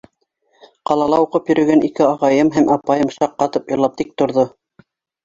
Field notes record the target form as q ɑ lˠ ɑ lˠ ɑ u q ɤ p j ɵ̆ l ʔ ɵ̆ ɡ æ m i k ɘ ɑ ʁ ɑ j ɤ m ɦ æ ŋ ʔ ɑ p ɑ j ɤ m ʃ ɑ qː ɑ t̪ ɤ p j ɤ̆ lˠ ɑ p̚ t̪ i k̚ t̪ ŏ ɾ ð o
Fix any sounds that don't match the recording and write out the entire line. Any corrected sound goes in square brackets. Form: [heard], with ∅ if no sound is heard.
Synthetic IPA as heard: q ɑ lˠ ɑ lˠ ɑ u q ɤ p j ɵ̆ [ɾ] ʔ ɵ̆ ɡ æ [n] i k ɘ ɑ ʁ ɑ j ɤ m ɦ æ [m] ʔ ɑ p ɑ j ɤ m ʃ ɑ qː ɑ t̪ ɤ p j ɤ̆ lˠ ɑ p̚ t̪ i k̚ t̪ ŏ ɾ ð o